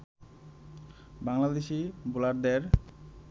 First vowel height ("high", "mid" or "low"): low